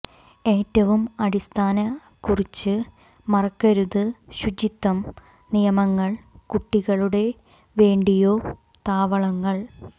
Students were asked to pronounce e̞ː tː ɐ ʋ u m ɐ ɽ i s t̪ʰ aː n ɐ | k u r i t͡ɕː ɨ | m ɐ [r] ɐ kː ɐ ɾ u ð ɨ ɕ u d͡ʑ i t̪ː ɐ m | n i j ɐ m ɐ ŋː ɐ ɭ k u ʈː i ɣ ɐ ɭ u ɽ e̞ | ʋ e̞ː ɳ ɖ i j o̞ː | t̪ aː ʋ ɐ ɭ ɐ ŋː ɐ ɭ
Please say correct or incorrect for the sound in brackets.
correct